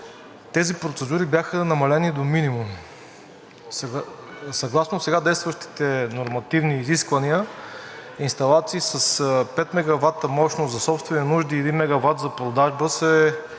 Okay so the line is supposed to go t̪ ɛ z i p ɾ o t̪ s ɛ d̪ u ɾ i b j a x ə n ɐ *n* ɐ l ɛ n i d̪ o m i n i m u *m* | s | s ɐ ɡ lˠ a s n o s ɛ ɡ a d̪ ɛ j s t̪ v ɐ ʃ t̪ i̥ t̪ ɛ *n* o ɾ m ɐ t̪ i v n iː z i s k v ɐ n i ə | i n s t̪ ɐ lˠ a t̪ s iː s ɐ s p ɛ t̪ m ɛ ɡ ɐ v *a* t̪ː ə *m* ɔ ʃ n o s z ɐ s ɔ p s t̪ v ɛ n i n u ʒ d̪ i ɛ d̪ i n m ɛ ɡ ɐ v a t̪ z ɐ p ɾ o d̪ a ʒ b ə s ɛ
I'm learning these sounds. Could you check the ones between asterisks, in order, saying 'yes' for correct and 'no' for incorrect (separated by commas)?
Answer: no, yes, yes, yes, yes